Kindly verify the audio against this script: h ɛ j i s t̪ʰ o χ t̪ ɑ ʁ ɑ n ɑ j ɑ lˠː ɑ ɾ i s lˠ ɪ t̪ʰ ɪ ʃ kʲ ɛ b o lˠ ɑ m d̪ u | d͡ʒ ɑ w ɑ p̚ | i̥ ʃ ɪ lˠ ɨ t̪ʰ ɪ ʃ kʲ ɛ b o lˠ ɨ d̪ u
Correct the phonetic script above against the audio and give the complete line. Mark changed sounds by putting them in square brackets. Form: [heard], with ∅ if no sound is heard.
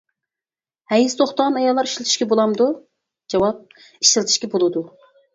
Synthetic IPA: h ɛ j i s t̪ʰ o χ t̪ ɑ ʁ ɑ n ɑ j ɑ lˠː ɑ ɾ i [ʃ] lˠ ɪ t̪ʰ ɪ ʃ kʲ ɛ b o lˠ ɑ m d̪ u | d͡ʒ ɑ w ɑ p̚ | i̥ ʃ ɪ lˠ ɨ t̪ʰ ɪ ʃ kʲ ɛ b o lˠ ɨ d̪ u